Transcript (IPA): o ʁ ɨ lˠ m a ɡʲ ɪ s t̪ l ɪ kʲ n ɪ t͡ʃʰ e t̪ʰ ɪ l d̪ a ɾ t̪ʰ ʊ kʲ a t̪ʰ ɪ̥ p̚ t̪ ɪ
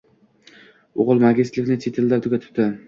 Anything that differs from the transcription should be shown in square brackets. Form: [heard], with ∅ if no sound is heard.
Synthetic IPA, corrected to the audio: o ʁ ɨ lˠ m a ɡʲ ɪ s t̪ l ɪ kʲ n ɪ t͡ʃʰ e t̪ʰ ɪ l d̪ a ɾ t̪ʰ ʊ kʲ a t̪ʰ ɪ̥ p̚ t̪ ɪ